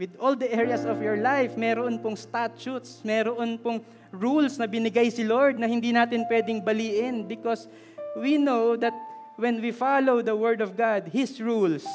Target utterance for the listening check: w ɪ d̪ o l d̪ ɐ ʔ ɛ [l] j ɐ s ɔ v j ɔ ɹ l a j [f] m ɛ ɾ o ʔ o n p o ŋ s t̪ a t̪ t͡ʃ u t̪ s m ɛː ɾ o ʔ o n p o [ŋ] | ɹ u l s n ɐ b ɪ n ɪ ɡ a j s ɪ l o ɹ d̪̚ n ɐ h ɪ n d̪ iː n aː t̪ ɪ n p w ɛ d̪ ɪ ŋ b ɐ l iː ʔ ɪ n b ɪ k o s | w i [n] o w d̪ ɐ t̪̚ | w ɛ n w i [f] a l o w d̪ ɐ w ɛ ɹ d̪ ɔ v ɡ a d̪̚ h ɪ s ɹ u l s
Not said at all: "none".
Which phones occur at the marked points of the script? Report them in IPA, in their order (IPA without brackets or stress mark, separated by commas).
ɹ, f, ŋ, n, f